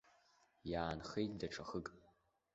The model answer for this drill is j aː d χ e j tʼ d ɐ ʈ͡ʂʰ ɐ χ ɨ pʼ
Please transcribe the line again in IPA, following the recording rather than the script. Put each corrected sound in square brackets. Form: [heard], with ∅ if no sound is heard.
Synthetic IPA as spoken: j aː [n] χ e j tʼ d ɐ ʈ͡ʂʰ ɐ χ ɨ [kʼ]